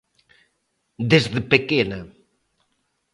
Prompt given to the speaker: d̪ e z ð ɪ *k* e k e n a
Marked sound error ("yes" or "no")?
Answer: yes